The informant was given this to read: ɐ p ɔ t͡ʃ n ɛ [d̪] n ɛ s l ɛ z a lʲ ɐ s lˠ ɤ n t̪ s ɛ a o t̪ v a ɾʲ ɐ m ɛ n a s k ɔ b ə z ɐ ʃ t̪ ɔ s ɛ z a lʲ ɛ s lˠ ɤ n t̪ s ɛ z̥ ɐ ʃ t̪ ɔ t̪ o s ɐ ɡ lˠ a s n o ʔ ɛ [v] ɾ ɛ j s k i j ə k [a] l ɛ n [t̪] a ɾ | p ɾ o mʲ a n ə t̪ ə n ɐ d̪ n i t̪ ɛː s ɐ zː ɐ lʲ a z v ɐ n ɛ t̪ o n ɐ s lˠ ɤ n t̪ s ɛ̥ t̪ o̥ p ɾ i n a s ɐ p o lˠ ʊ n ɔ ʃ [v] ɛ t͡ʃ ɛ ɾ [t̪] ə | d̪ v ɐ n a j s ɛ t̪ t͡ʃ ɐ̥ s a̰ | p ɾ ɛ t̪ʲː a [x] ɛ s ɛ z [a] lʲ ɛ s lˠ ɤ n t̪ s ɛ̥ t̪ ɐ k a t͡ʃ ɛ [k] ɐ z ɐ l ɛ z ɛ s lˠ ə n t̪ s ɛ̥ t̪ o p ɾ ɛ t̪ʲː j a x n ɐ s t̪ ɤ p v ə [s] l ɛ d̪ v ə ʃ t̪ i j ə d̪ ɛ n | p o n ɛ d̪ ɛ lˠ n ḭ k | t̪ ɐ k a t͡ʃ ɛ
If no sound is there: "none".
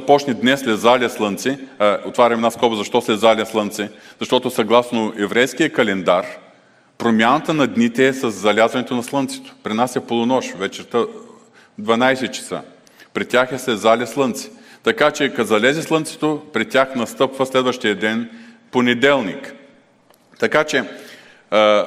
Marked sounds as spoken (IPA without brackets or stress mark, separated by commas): d̪, v, ɐ, d̪, v, t̪, x, a, k, s